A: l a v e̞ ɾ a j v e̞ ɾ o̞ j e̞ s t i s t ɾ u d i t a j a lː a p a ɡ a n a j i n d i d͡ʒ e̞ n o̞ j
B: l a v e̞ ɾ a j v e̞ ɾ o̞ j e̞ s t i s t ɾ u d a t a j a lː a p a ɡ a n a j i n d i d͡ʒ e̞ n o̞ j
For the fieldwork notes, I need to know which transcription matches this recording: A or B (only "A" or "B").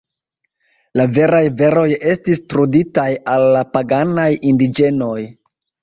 A